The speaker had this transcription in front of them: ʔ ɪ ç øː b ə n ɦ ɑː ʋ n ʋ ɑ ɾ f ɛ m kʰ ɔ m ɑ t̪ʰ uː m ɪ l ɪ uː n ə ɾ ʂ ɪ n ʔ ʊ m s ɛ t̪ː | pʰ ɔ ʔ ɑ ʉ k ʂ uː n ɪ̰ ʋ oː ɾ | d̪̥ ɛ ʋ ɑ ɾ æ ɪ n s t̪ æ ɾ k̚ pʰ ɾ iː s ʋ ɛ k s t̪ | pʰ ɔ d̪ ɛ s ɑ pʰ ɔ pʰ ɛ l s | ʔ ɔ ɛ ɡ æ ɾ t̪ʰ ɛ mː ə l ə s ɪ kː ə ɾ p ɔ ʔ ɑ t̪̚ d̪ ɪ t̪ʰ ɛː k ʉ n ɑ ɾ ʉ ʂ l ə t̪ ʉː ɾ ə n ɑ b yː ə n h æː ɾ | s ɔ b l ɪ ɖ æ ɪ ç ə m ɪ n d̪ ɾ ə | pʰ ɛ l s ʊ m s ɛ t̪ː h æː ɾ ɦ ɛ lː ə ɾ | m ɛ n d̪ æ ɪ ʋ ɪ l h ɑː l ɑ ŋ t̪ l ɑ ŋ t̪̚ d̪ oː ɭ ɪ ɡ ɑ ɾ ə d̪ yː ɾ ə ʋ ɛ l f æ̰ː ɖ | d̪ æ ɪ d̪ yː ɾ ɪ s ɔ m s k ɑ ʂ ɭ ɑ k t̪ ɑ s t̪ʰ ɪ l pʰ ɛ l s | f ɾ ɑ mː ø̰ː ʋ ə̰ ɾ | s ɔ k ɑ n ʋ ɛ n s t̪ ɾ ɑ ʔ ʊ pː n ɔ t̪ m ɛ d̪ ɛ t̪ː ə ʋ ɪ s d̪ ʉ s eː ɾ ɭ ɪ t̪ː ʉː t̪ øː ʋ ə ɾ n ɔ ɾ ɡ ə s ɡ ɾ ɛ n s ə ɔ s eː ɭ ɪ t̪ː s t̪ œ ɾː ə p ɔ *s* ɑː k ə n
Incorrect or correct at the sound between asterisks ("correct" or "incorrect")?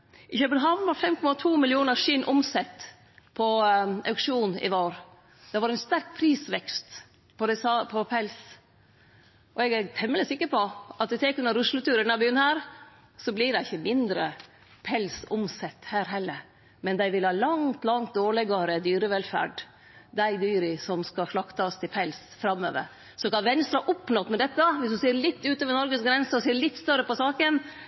correct